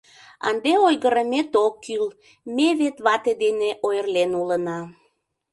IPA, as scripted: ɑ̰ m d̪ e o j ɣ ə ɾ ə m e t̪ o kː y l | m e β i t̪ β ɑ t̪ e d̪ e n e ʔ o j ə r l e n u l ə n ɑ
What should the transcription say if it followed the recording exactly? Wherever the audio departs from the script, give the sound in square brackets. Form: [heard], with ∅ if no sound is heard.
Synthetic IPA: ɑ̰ [n] d̪ e o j ɣ ə ɾ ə m e t̪ o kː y l | m e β [e] t̪ β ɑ t̪ e d̪ e n e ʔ o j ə r l e n u l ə n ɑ